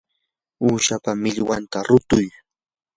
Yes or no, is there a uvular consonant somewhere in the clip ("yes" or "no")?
no